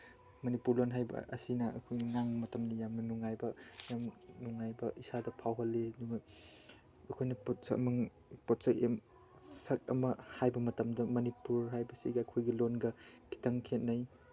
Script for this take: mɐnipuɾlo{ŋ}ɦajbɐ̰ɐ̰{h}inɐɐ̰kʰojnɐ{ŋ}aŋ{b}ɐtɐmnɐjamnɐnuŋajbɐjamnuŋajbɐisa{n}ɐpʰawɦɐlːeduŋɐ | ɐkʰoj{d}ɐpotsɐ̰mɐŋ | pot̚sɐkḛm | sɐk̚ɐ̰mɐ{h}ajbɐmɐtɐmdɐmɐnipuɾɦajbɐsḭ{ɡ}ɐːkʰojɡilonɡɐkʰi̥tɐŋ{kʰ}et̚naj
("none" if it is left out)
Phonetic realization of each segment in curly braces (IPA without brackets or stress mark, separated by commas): n, s, ŋ, m, d, n, h, ɡ, kʰ